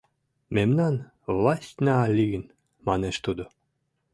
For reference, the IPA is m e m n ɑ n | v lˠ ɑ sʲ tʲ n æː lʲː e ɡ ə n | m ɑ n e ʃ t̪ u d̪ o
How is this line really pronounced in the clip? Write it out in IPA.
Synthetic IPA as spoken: m e m n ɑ n | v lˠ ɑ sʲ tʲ n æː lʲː i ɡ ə n | m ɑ n e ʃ t̪ u d̪ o